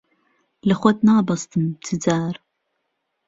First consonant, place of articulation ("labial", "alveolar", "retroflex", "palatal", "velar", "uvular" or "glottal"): alveolar